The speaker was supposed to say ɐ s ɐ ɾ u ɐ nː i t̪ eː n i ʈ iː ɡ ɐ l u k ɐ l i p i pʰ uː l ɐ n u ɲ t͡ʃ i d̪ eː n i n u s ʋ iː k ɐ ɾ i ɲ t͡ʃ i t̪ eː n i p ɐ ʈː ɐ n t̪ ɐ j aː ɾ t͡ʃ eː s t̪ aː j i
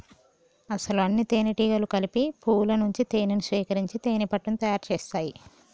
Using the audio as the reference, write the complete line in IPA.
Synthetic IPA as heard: ɐ s ɐ l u ɐ nː i t̪ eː n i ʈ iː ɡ ɐ l u k ɐ l i p i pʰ uː l ɐ n u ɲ t͡ʃ i t̪ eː n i n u s ʋ iː k ɐ ɾ i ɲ t͡ʃ i t̪ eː n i p ɐ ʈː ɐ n t̪ ɐ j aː ɾ t͡ʃ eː s t̪ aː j i